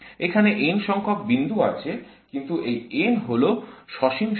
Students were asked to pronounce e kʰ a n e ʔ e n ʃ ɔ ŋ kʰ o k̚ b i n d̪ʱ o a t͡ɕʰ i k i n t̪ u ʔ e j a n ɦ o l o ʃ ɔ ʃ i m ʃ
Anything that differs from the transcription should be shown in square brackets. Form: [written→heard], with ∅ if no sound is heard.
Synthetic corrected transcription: e kʰ a n e ʔ e n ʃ ɔ ŋ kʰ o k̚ b i n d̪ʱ [o→u] a t͡ɕʰ [i→e] k i n t̪ u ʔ e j [a→e] n ɦ o l o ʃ ɔ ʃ i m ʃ